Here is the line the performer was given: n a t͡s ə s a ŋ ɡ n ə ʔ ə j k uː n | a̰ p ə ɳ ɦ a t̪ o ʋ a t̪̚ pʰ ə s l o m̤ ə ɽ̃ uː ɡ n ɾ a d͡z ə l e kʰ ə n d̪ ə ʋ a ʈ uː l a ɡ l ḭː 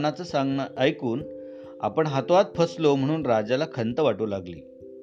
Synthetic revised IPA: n a t͡s ə s a ŋ ɡ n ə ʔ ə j k uː n | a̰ p ə ɳ ɦ a t̪ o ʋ a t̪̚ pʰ ə s l o m̤ ə ɽ̃ uː n ɾ a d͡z a l a kʰ ə n t̪ ə ʋ a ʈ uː l a ɡ l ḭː